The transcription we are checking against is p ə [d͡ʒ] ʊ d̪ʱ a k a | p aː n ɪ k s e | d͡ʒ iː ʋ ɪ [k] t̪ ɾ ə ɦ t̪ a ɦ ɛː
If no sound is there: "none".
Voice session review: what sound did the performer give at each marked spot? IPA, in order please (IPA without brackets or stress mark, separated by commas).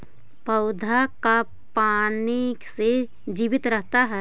none, none